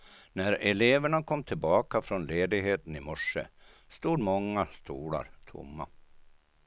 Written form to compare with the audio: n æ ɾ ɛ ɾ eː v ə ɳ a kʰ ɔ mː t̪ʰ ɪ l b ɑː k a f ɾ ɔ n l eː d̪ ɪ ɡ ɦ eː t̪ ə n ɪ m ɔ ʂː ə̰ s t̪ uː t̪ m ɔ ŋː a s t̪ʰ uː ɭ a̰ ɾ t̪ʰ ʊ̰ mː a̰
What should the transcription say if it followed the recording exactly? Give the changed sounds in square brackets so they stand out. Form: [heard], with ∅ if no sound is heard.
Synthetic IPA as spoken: n æ ɾ ɛ [l] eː v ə ɳ a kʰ ɔ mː t̪ʰ ɪ l b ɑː k a f ɾ ɔ n l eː d̪ ɪ ɡ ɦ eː t̪ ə n ɪ m ɔ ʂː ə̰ s t̪ uː [d̪] m ɔ ŋː a s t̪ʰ uː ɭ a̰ ɾ t̪ʰ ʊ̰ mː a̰